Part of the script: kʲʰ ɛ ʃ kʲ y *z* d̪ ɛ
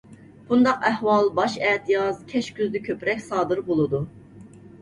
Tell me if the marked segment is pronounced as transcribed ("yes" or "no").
yes